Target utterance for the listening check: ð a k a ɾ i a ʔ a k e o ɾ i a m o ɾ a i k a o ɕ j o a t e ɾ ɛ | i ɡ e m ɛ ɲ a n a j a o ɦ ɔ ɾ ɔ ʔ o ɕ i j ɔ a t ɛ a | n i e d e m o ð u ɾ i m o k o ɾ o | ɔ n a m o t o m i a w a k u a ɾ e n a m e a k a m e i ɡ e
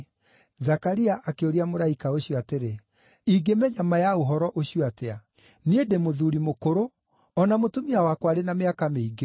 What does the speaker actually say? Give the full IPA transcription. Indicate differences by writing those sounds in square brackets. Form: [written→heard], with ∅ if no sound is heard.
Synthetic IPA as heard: [ð→z] a k a ɾ i a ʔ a k e o ɾ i a m o ɾ a i k a o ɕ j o a t e ɾ [ɛ→e] | i ɡ e m ɛ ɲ a [n→m] a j a o ɦ ɔ ɾ ɔ ʔ o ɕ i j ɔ a t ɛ a | n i e d e m o ð u ɾ i m o k o ɾ o | ɔ n a m o t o m i a w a k [u→w] a ɾ e n a m e a k a m e i ɡ e

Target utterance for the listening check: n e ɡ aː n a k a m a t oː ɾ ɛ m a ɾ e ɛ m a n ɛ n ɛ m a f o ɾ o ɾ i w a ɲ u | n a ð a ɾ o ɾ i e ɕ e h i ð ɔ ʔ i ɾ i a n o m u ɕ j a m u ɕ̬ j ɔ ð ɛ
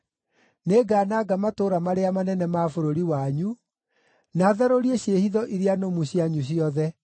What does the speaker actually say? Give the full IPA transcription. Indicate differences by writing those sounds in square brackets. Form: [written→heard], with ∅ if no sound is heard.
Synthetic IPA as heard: n e ɡ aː n a [k→ɡ] a m a t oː ɾ [ɛ→a] m a ɾ e [ɛ→a] m a n ɛ n ɛ m a f o ɾ o ɾ i w a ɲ u | n a ð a ɾ o ɾ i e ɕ e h i ð ɔ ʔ i ɾ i a n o m u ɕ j a [m→ɲ] u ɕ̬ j ɔ ð ɛ

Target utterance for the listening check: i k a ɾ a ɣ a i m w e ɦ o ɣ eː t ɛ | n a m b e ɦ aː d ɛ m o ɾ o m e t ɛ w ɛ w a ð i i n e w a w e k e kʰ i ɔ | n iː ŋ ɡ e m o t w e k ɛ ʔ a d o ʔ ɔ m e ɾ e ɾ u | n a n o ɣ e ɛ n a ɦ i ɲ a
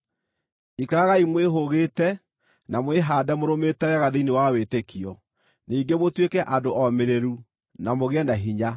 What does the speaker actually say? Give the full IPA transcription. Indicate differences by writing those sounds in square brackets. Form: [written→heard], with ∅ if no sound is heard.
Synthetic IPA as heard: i k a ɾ a ɣ a i m w e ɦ o ɣ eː t ɛ | n a m [b→w] e ɦ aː d ɛ m o ɾ o m e t ɛ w ɛ [w→ɣ] a ð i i n e w a w e [k→t] e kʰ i ɔ | n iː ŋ ɡ e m o t w e k ɛ ʔ a d o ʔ ɔ m e ɾ e ɾ u | n a [n→m] o ɣ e ɛ n a ɦ i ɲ a

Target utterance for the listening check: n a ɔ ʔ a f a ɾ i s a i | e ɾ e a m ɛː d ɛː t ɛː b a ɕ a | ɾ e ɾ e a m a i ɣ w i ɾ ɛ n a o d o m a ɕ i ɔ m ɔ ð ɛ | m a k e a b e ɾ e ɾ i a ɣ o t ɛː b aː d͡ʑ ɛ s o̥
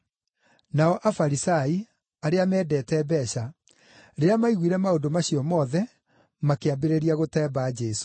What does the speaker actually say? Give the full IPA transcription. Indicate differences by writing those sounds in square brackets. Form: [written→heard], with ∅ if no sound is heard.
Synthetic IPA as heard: n a ɔ ʔ a f a ɾ i s a i | [e→a] ɾ e a m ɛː d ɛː t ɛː b [a→ɛ] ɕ a | ɾ e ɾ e a m a i ɣ w i ɾ ɛ [n→m] a o d o m a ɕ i ɔ m ɔ ð ɛ | m a k e a b e ɾ e ɾ i a ɣ o t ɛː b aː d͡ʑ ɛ s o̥

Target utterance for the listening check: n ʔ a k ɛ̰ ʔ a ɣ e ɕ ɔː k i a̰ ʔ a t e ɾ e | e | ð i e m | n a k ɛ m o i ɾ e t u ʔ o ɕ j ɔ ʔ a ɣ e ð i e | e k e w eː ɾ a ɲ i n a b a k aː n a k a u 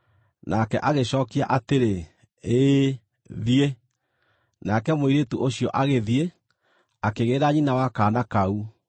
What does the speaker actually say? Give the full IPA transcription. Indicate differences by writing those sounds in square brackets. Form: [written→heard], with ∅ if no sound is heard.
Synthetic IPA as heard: n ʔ a k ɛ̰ ʔ a ɣ e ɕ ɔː k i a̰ ʔ a t e ɾ e | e | ð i e [m→∅] | n a k ɛ m o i ɾ e t u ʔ o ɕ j ɔ ʔ a ɣ e ð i e | [e→a] k e [w→ɣ] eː ɾ a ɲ i n a [b→w] a k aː n a k a u

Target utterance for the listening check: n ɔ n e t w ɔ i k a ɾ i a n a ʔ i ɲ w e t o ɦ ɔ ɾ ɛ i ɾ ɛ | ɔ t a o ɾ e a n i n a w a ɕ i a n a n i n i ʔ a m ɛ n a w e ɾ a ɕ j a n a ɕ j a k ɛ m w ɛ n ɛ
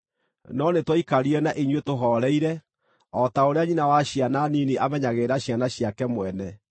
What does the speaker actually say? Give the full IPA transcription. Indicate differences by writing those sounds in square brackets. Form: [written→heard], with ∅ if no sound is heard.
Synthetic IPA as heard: n ɔ n e t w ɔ i k a ɾ i [a→ɛ] n a ʔ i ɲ w e t o ɦ ɔ ɾ ɛ i ɾ ɛ | ɔ t a o ɾ e a [n→ɲ] i n a w a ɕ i a n a n i n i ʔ a m ɛ [n→ɲ] a [w→ɣ] e ɾ a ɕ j a n a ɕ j a k ɛ m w ɛ n ɛ

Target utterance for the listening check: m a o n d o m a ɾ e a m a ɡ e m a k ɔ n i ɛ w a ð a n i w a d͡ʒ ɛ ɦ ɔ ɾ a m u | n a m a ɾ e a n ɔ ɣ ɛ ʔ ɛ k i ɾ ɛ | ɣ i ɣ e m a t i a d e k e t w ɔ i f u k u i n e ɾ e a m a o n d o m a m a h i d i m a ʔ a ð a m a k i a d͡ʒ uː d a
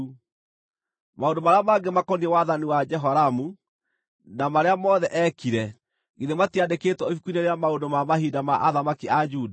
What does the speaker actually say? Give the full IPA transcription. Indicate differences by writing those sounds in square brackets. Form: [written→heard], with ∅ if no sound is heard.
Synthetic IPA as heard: m a o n d o m a ɾ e a m a ɡ e m a k ɔ n i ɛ w a ð a n i w a d͡ʒ ɛ ɦ ɔ ɾ a m u | n a m a ɾ e a [n→m] ɔ [ɣ→ð] ɛ ʔ ɛ k i ɾ ɛ | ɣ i [ɣ→ð] e m a t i a d e k e t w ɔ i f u k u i n e ɾ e a m a o n d o m a m a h i d [i→a] m a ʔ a ð a m a k i a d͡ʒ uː d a

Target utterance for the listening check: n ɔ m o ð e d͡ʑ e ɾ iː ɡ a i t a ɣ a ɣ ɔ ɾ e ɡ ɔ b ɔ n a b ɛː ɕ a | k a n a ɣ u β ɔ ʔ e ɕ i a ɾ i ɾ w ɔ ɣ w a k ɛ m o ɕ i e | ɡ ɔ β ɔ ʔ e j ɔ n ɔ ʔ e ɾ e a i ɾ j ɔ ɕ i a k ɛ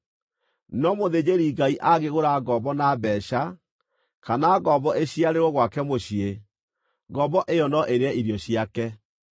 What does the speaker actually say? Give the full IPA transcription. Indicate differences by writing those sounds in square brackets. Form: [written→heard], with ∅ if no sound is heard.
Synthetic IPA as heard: n ɔ m o ð e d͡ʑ e ɾ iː ɡ a i [t→ʔ] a ɣ [a→e] ɣ [ɔ→o] ɾ [e→a] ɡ ɔ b ɔ n a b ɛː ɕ a | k a n a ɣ [u→ɔ] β ɔ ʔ e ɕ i a ɾ [i→e] ɾ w ɔ ɣ w a k ɛ m o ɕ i e | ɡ ɔ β ɔ ʔ e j ɔ n ɔ ʔ e ɾ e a i ɾ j ɔ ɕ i a k ɛ

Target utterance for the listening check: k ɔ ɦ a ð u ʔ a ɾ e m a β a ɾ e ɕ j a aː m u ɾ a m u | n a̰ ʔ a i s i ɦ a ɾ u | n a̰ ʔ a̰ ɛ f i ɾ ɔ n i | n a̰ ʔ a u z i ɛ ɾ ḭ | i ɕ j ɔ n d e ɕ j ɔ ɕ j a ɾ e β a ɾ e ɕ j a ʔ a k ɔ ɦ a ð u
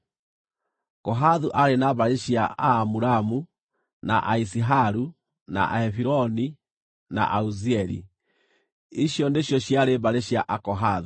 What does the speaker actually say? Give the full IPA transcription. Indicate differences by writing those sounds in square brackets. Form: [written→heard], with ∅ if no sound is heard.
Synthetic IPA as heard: k ɔ ɦ a ð u ʔ a ɾ e [m→n] a β a ɾ e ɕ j a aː m u ɾ a m u | n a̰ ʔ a i s i ɦ a ɾ u | n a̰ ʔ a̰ ɛ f i ɾ ɔ n i | n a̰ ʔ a u z i ɛ ɾ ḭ | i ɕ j ɔ n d e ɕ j ɔ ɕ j a ɾ e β a ɾ e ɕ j a ʔ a k ɔ ɦ a ð u

